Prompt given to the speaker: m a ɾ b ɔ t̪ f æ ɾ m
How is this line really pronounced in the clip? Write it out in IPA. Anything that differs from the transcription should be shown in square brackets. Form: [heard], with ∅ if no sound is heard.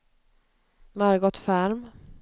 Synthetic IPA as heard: m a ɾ [ɡ] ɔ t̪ f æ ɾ m

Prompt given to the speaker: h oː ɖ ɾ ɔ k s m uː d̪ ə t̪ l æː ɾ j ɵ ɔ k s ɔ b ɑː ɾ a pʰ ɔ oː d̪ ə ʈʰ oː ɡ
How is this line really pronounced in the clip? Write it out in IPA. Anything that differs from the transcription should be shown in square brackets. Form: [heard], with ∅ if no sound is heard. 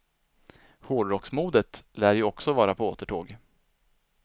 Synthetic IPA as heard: h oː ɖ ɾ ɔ k s m uː d̪ ə t̪ l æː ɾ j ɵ ɔ k s ɔ [v] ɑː ɾ a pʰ ɔ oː [t̪] ə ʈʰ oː ɡ

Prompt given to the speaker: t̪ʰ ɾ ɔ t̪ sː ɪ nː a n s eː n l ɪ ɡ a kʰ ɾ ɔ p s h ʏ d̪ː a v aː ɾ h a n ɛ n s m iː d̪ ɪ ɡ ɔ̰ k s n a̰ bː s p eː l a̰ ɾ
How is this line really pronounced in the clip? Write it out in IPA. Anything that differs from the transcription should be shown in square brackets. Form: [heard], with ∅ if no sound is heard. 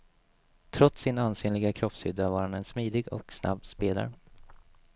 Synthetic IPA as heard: t̪ʰ ɾ ɔ t̪ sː ɪ [n] a n s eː n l ɪ ɡ a kʰ ɾ ɔ p s h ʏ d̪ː a v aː ɾ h a n ɛ n s m iː d̪ ɪ ɡ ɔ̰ k s n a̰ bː s p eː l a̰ ɾ

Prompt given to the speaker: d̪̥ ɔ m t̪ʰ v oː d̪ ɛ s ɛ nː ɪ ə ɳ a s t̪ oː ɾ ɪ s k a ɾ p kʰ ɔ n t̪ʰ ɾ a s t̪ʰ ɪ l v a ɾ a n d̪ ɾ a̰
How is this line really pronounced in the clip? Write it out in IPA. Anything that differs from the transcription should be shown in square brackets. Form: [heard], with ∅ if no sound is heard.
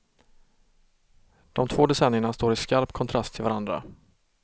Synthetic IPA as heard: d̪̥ ɔ m t̪ʰ v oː d̪ ɛ s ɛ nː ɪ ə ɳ a s t̪ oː ɾ ɪ s k a ɾ p kʰ ɔ n t̪ʰ ɾ a s t̪ʰ ɪ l v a ɾ a n d̪ ɾ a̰

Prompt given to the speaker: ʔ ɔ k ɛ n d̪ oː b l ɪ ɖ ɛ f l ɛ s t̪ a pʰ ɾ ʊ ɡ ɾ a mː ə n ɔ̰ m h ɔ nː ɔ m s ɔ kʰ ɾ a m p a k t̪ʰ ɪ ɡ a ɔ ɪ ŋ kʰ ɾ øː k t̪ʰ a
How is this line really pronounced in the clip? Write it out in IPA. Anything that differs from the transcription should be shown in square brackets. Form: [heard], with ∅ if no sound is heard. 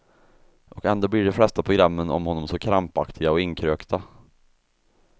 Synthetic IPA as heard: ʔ ɔ k ɛ n d̪ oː b l ɪ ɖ ɛ f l ɛ s t̪ a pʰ ɾ ʊ ɡ ɾ a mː ə n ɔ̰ m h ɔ nː ɔ m s ɔ kʰ ɾ a m p a k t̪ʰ ɪ ɡ a ɔ ɪ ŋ kʰ ɾ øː k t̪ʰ a

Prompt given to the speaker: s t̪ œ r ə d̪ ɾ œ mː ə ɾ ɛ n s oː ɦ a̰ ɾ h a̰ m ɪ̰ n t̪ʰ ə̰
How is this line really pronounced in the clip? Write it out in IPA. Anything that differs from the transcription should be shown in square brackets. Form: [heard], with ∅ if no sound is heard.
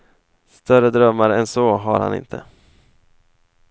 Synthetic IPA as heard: s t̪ œ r ə d̪ ɾ œ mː [a] ɾ ɛ n s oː ɦ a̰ ɾ h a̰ [n] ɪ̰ n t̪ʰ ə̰

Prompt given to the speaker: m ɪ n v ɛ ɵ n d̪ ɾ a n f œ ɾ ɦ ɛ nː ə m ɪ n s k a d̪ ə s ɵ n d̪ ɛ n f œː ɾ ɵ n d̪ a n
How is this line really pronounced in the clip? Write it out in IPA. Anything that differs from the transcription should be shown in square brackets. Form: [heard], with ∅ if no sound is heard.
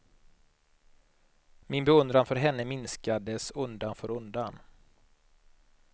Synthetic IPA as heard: m ɪ n [b] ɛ ɵ n d̪ ɾ a n f œ ɾ ɦ ɛ nː ə m ɪ n s k a d̪ ə s ɵ n d̪ [a] n f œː ɾ ɵ n d̪ a n

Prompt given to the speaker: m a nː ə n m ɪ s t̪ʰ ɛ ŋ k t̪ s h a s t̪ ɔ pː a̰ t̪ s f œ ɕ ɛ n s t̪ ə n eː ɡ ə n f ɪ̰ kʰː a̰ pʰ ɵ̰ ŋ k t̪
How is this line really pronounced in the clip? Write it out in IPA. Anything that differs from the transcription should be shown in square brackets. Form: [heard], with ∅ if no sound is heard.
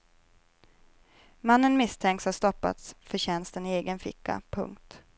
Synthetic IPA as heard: m a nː ə n m ɪ s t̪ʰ ɛ ŋ k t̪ s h a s t̪ ɔ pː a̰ t̪ s f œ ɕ ɛ n s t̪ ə n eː ɡ ə n f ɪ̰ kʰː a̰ pʰ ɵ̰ ŋ k t̪

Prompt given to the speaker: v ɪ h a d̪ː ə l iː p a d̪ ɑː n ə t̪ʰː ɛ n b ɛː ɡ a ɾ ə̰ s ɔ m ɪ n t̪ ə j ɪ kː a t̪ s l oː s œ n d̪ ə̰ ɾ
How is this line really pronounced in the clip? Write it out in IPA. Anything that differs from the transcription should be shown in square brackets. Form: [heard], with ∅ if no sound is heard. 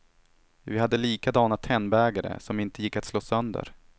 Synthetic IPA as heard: v ɪ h a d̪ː ə l iː [k] a d̪ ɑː n [a] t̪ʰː ɛ n b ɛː ɡ a ɾ ə̰ s ɔ m ɪ n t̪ ə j ɪ kː a t̪ s l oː s œ n d̪ ə̰ ɾ

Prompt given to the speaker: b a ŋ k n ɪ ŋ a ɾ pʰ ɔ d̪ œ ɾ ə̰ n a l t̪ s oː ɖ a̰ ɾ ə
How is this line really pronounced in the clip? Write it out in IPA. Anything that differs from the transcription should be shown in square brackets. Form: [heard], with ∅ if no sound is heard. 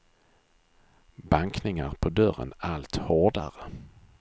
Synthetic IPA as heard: b a ŋ k n ɪ ŋ a ɾ pʰ ɔ d̪ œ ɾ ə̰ n a l t̪ [h] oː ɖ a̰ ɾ ə

